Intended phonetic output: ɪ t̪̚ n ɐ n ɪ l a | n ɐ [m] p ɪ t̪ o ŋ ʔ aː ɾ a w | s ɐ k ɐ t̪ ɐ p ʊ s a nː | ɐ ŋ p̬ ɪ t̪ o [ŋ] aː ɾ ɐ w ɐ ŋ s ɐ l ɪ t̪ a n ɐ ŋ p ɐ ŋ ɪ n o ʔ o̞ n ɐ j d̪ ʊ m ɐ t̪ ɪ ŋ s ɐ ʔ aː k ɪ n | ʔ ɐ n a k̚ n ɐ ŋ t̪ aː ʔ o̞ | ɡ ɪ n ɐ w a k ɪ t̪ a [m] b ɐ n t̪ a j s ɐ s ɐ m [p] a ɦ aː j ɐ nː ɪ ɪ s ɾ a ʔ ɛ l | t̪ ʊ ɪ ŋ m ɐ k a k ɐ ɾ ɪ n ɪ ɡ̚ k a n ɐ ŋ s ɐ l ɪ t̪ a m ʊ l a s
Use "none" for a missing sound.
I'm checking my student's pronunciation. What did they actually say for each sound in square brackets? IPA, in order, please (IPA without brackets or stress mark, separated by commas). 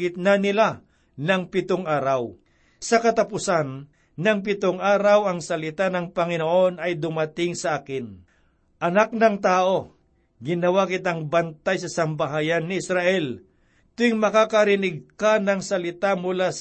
ŋ, ŋ, ŋ, b